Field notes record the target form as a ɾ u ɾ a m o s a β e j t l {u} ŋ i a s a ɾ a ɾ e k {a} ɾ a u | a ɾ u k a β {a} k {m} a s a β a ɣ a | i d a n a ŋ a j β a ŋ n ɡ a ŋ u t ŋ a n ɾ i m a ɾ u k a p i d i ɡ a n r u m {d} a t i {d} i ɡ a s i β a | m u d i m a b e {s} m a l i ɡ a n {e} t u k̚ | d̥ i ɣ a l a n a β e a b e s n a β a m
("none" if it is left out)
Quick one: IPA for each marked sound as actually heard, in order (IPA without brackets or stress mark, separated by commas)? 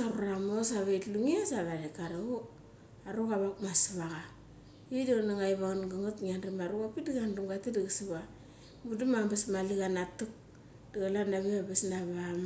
u, a, a, m, ɡ, d, s, a